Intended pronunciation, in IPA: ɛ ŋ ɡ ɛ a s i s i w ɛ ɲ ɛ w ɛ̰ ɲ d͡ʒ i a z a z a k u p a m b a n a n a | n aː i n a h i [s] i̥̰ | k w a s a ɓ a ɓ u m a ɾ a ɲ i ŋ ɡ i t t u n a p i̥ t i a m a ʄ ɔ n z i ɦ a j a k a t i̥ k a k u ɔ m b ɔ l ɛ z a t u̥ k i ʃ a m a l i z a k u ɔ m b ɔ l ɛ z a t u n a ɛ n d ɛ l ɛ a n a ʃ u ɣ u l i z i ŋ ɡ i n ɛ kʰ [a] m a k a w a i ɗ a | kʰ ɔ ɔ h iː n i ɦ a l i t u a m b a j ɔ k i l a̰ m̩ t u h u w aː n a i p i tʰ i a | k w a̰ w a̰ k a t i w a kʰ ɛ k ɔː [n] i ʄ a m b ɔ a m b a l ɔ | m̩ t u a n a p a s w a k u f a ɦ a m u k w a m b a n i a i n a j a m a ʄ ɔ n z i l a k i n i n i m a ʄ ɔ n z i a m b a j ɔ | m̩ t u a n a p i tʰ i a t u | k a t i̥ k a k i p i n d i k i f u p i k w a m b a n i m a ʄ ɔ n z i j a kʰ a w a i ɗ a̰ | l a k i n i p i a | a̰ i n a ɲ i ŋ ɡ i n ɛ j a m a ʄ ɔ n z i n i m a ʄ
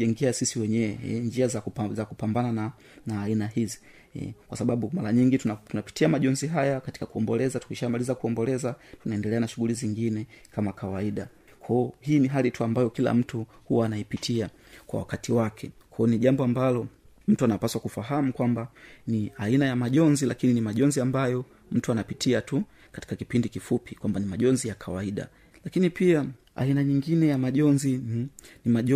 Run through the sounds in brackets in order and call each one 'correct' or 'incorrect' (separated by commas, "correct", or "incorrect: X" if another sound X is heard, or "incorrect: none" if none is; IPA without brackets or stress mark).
incorrect: z, correct, correct